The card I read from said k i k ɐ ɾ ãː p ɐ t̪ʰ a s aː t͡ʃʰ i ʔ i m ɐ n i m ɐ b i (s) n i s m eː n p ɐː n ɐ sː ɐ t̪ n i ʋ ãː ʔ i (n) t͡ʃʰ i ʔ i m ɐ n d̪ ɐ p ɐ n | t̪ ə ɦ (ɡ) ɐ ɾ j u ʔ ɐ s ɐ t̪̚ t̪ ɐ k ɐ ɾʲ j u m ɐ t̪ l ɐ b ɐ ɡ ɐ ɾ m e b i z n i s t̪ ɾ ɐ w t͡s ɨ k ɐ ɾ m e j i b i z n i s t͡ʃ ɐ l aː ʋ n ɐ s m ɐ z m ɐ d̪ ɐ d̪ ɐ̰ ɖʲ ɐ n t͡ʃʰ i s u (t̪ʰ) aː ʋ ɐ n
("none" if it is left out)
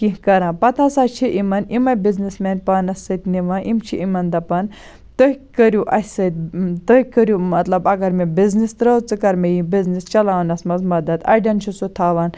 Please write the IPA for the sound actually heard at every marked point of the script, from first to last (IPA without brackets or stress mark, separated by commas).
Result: z, m, k, t̪ʰ